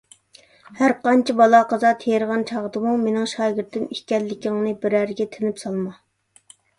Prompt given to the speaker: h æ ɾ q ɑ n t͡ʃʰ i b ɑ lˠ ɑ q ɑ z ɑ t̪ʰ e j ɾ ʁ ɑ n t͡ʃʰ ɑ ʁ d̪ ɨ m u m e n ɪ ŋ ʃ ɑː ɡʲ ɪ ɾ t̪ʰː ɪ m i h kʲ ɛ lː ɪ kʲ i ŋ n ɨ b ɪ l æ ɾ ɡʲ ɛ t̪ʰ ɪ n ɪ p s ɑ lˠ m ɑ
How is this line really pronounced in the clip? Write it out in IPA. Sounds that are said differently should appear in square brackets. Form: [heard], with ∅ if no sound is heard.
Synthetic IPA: h æ ɾ q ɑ n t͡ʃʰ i b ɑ lˠ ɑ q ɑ z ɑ t̪ʰ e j ɾ ʁ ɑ n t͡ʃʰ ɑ ʁ d̪ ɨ m u m e n ɪ ŋ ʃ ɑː ɡʲ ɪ ɾ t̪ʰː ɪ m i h kʲ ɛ lː ɪ kʲ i ŋ n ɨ b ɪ [ɾ] æ ɾ ɡʲ ɛ t̪ʰ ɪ n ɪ p s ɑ lˠ m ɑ